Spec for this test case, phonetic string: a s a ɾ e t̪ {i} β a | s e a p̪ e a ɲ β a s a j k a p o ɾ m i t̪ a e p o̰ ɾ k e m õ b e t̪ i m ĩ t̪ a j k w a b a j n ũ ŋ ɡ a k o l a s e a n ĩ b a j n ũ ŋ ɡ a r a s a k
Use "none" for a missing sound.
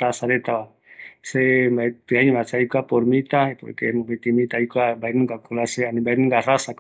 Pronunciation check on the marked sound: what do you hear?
a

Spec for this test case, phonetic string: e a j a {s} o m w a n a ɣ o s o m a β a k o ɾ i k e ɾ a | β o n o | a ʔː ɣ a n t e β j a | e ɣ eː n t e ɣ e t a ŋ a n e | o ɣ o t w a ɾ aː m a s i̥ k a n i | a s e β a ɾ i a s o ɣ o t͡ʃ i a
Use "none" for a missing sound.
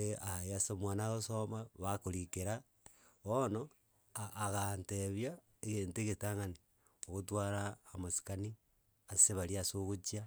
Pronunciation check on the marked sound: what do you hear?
s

